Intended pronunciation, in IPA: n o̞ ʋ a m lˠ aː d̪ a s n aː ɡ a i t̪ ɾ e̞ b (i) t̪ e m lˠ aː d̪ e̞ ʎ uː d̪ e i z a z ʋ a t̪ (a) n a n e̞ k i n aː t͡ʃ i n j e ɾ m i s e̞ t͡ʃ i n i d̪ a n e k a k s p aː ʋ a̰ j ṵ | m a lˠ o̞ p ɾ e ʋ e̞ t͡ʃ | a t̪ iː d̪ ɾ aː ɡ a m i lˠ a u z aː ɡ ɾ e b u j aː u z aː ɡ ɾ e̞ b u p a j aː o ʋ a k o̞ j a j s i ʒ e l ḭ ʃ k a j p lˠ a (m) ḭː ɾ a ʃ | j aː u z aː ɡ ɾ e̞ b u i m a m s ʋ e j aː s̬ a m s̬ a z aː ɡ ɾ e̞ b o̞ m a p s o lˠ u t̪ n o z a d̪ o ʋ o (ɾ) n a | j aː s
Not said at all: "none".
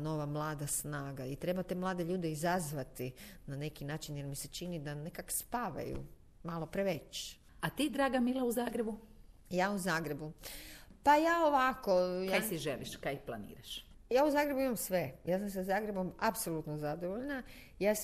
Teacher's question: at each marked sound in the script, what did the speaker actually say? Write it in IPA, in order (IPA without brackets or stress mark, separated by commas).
a, i, n, ʎ